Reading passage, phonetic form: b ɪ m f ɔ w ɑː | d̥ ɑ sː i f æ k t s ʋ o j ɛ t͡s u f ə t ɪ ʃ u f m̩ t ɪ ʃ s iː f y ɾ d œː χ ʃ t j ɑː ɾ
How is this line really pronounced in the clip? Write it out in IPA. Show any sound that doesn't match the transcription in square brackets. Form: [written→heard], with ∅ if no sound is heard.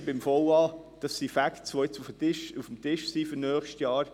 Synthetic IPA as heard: b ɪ m f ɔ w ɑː | d̥ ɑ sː i f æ k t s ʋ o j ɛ t͡s u f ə t ɪ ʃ u f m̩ t ɪ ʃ s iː f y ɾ [d→n] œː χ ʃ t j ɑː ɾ

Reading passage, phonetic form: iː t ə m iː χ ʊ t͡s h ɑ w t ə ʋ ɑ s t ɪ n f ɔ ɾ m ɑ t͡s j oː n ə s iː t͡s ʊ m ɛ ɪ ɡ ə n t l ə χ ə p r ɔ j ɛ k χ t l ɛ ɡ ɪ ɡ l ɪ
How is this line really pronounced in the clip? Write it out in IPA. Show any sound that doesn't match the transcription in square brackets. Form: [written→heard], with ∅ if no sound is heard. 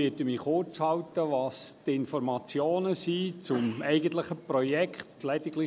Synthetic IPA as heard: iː t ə m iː χ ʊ t͡s h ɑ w t ə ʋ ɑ s t ɪ n f ɔ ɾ m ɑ t͡s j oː n ə s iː t͡s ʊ m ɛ ɪ ɡ ə n t l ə χ ə p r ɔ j ɛ k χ t l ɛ [ɡ→d] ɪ ɡ l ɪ

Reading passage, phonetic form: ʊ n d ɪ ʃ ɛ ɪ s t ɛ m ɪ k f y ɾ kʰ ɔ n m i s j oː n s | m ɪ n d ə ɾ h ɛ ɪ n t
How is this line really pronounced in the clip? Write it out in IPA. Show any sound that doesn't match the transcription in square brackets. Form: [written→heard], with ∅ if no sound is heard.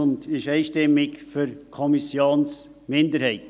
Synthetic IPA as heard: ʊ n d ɪ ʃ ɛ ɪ [s→ʃ] t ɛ m ɪ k f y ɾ kʰ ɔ [n→∅] m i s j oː n s | m ɪ n d ə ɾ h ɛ ɪ [n→∅] t

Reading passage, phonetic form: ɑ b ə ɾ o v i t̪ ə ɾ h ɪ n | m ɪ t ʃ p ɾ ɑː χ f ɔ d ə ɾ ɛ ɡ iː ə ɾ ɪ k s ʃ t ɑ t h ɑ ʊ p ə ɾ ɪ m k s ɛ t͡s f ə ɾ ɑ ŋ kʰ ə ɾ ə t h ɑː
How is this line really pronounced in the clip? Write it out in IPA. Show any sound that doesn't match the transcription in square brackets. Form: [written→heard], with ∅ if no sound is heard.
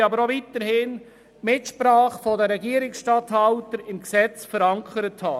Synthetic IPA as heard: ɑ b ə ɾ o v i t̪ ə ɾ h ɪ n | m ɪ t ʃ p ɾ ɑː χ f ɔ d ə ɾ ɛ ɡ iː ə ɾ ɪ k s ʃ t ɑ t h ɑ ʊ [p→t] ə ɾ ɪ m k s ɛ t͡s f ə ɾ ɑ ŋ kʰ ə ɾ ə t h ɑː

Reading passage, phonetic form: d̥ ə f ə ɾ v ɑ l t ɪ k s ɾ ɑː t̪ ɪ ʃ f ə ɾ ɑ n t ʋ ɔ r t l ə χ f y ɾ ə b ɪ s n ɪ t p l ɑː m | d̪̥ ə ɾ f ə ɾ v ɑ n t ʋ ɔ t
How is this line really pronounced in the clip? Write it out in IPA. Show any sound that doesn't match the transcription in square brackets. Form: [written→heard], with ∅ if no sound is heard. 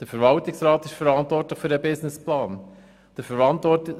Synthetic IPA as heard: d̥ ə f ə ɾ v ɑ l t ɪ k s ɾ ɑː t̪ ɪ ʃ f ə ɾ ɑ n t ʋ ɔ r t l ə χ f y ɾ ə b ɪ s n ɪ [t→s] p l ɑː [m→n] | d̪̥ ə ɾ f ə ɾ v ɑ n t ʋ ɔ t

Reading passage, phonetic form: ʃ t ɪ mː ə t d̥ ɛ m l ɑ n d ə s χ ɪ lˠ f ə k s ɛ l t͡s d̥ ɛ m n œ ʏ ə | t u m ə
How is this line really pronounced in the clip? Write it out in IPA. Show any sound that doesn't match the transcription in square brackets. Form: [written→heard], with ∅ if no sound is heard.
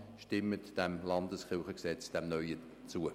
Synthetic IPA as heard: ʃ t ɪ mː ə t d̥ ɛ m l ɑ n d ə s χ ɪ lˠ [f→χ] ə k s ɛ [l→∅] t͡s d̥ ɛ m n œ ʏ ə | [t→t͡s] u [m→∅] ə

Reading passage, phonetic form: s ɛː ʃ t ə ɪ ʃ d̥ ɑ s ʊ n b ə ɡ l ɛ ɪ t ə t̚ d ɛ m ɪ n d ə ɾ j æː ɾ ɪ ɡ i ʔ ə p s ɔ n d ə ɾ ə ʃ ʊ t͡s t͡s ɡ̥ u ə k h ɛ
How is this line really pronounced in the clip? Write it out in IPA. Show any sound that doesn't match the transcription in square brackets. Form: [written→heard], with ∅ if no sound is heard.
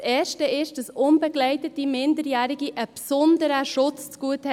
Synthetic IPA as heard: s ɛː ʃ t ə ɪ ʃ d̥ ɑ s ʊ n b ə ɡ l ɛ ɪ t ə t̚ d [ɛ→i] m ɪ n d ə ɾ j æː ɾ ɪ ɡ i ʔ ə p s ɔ n d ə ɾ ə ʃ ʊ t͡s t͡s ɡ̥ u ə [k→t] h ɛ

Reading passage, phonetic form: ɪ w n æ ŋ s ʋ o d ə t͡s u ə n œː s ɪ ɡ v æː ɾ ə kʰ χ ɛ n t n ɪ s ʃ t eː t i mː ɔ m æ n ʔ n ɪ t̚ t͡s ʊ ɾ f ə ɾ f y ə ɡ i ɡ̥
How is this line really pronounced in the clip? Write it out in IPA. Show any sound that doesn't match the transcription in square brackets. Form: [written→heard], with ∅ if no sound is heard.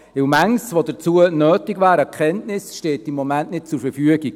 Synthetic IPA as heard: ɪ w [n→m] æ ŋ s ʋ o d ə t͡s u ə n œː [s→t] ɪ ɡ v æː ɾ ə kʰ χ ɛ n t n ɪ s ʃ t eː t i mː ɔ m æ n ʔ n ɪ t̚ t͡s ʊ ɾ f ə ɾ f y ə ɡ i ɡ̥

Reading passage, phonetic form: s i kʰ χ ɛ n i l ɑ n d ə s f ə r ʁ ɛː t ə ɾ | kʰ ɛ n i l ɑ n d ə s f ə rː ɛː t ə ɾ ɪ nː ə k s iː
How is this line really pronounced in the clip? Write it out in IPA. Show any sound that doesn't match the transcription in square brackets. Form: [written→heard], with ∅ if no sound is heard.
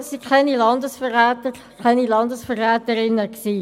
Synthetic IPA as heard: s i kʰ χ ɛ n i l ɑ n d ə s f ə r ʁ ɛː t ə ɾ | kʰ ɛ n i l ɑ n d ə s f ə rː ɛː t ə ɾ ɪ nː ə k s iː

